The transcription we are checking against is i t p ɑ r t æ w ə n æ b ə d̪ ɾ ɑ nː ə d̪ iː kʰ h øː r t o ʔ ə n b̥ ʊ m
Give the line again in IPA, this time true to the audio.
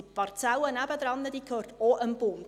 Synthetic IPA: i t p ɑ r t͡s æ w ə n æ b ə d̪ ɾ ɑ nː ə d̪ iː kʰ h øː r t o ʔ ə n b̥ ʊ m